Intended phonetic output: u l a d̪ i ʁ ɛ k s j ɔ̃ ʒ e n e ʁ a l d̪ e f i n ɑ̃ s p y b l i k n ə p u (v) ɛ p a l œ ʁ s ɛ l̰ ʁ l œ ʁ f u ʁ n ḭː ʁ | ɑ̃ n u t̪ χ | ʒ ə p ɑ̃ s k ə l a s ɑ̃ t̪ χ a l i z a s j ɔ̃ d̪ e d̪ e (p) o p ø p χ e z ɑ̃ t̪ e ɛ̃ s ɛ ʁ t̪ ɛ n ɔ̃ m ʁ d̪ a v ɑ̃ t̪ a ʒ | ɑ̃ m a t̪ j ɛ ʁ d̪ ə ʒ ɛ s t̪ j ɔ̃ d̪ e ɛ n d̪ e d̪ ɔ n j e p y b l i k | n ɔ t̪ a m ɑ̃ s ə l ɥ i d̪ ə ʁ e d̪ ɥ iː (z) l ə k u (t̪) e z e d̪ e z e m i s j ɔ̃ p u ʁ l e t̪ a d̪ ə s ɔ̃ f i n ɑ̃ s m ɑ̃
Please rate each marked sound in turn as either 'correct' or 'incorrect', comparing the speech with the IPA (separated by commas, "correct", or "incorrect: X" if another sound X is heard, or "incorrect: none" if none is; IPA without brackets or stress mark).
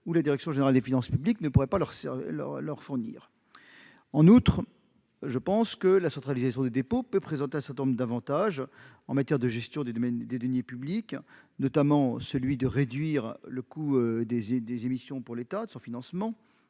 incorrect: ʁ, correct, incorrect: ʁ, incorrect: d̪